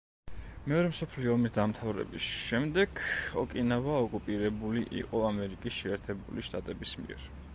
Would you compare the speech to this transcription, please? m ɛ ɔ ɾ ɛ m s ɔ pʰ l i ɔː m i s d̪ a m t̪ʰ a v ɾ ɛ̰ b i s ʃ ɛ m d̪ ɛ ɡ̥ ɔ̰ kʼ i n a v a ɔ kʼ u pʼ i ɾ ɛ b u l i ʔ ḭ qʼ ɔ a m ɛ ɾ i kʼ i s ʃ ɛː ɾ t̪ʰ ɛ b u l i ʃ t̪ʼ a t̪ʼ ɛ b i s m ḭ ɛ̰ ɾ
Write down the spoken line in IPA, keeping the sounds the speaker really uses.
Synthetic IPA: m ɛ ɔ ɾ ɛ m s ɔ pʰ l i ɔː m i s d̪ a m t̪ʰ a v ɾ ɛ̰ b i s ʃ ɛ m d̪ ɛ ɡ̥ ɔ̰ kʼ i n a v a ɔ kʼ u pʼ i ɾ ɛ b u l i ʔ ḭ qʼ ɔ a m ɛ ɾ i kʼ i s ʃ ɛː ɾ t̪ʰ ɛ b u l i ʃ t̪ʼ a t̪ʼ ɛ b i s m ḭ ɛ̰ ɾ